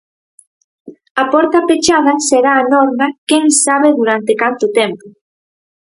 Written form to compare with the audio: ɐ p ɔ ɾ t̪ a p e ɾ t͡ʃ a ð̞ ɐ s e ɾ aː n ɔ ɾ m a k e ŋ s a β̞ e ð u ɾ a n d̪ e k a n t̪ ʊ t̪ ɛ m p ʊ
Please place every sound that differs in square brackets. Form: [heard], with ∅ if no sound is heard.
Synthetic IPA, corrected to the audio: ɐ p ɔ ɾ t̪ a p e [∅] t͡ʃ a ð̞ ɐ s e ɾ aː n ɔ ɾ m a k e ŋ s a β̞ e ð u ɾ a n [t̪] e k a n t̪ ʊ t̪ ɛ m p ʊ